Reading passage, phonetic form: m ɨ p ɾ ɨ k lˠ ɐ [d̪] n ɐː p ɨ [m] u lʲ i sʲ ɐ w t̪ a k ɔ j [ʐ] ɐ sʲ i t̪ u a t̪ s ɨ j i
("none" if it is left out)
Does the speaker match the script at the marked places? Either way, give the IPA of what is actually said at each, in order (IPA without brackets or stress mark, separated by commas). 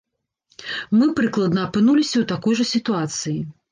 d̪, n, ʐ